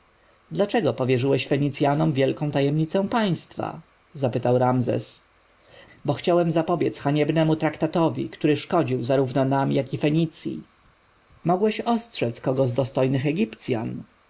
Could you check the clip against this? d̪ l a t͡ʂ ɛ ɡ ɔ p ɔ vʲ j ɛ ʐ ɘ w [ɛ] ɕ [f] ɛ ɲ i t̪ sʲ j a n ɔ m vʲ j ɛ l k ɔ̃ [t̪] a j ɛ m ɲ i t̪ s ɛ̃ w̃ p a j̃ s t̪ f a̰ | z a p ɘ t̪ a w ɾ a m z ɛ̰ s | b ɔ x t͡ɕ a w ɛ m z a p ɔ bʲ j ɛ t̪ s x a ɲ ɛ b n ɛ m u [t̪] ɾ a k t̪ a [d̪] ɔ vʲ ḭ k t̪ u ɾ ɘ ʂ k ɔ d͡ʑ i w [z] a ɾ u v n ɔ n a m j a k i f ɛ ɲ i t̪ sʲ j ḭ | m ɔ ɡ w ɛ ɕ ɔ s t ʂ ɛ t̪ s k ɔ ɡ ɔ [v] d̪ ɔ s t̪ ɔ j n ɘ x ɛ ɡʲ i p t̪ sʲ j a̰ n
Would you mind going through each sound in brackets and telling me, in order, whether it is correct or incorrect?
correct, correct, correct, correct, incorrect: t̪, correct, incorrect: z

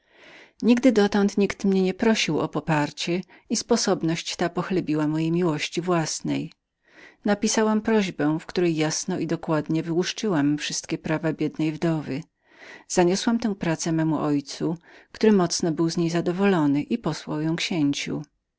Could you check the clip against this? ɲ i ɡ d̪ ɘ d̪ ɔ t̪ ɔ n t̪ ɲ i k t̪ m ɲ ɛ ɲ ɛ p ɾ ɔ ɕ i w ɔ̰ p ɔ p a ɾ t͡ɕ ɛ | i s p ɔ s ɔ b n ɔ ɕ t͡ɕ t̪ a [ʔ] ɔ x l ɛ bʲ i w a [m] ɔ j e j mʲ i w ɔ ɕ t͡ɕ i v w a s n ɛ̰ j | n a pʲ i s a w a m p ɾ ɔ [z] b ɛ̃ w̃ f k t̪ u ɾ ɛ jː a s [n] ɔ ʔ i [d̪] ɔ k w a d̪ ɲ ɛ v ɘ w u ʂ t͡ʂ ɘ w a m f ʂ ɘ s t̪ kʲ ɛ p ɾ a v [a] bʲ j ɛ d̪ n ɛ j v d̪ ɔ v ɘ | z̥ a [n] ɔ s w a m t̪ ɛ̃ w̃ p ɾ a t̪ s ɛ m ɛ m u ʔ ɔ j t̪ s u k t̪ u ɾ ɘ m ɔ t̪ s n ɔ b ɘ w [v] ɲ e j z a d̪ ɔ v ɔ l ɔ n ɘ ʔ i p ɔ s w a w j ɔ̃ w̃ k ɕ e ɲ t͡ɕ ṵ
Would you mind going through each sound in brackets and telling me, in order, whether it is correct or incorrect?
incorrect: p, correct, incorrect: ʑ, correct, correct, correct, incorrect: ɲ, incorrect: z

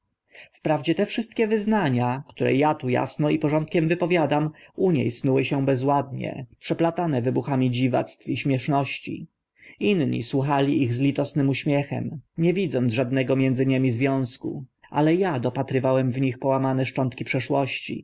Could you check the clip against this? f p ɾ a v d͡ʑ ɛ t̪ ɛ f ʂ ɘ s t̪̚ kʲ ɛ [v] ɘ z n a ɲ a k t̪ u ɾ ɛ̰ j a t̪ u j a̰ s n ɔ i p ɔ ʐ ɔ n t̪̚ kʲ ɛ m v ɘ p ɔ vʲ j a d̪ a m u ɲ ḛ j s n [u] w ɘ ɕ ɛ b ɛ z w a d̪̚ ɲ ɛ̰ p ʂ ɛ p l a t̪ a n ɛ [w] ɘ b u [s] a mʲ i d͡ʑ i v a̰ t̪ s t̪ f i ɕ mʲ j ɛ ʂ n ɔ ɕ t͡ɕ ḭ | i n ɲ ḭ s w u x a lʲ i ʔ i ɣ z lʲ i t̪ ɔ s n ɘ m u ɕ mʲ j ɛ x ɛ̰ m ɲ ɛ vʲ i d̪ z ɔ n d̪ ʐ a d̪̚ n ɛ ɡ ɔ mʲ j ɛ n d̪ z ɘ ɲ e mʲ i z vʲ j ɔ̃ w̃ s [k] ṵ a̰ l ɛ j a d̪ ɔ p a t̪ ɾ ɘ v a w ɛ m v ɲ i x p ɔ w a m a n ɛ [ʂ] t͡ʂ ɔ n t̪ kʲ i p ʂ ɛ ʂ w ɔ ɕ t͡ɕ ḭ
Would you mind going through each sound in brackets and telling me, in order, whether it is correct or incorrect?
correct, correct, incorrect: v, incorrect: x, correct, correct

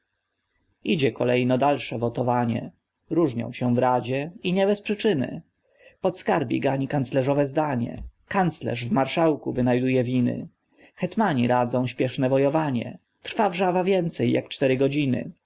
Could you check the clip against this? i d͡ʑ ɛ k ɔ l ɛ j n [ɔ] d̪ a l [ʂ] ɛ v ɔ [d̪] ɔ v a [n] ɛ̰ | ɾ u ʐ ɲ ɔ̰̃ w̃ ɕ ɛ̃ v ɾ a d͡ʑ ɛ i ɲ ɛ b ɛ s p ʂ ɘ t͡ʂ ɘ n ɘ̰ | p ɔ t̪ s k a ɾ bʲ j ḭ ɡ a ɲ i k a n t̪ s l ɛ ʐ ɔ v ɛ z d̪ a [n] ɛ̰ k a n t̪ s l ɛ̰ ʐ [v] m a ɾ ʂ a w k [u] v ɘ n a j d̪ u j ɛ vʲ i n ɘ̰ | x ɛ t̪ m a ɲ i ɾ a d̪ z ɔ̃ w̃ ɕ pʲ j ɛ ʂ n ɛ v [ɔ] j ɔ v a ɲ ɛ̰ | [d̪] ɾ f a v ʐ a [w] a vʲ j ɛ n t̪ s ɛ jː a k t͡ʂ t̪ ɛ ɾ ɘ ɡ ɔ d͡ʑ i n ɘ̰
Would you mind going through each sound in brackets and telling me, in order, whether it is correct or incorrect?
correct, correct, incorrect: t̪, incorrect: ɲ, incorrect: ɲ, correct, correct, correct, incorrect: t̪, incorrect: v

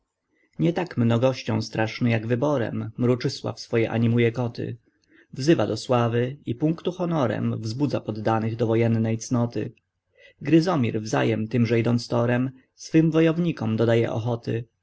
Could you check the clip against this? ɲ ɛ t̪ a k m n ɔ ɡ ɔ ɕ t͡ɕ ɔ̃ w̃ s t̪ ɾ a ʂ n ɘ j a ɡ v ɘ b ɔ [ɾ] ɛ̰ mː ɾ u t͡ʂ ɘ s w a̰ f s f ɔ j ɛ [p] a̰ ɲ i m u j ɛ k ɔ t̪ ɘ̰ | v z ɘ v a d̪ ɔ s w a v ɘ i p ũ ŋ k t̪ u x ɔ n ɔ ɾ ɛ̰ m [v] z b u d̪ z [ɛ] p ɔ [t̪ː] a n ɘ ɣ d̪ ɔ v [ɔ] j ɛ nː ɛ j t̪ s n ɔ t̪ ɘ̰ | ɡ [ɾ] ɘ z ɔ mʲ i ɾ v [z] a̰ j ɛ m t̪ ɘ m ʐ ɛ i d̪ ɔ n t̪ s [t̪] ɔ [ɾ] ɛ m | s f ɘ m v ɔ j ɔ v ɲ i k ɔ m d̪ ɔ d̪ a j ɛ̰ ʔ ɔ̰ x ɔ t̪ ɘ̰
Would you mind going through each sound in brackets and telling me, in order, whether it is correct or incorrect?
correct, incorrect: ʔ, correct, incorrect: a, incorrect: d̪ː, correct, correct, correct, correct, correct

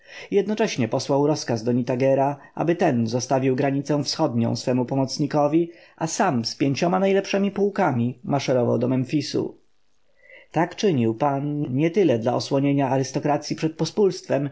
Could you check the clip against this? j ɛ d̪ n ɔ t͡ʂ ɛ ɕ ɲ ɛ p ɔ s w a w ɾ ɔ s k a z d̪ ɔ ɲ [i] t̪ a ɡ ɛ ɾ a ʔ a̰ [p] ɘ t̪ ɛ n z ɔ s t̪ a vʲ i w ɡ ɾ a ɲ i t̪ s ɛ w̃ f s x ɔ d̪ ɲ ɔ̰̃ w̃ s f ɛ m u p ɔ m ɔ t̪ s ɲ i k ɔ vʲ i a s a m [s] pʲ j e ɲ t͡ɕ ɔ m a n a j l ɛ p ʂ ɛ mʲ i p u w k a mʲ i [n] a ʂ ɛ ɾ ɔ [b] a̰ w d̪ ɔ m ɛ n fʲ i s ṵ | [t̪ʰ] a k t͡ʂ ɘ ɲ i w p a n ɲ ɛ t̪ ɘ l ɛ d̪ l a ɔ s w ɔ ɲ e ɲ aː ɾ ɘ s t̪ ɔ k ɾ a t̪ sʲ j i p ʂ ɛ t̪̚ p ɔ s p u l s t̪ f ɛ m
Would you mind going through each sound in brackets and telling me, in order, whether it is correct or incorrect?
correct, incorrect: b, correct, incorrect: m, incorrect: v, incorrect: t̪

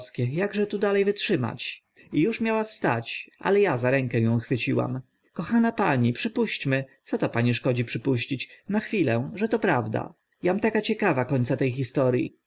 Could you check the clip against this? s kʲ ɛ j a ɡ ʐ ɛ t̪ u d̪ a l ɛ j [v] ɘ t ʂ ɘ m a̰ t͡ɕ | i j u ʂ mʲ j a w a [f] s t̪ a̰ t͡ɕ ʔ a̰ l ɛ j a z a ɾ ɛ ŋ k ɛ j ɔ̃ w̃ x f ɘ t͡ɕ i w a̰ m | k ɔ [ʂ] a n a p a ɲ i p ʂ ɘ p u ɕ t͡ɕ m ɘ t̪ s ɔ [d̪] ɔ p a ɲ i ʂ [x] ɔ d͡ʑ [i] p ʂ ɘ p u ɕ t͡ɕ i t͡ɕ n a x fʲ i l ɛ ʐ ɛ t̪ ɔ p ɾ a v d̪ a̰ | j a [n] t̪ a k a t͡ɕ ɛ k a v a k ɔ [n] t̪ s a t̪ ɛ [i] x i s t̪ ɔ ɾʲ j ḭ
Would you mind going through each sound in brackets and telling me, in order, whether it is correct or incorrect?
correct, correct, incorrect: x, incorrect: t̪, incorrect: k, correct, incorrect: m, incorrect: ɲ, incorrect: j

